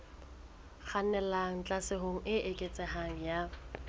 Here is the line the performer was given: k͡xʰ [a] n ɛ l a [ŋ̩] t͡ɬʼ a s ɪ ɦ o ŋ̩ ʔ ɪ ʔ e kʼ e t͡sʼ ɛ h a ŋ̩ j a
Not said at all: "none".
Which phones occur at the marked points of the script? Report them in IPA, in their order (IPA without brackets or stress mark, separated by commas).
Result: a, ŋ̩